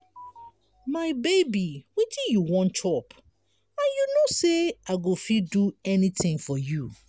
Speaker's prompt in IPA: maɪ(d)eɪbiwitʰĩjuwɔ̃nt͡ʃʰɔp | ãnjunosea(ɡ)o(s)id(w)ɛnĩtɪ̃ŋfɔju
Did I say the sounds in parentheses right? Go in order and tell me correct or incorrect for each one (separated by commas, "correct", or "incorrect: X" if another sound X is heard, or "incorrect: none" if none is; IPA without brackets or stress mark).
incorrect: b, correct, incorrect: f, incorrect: u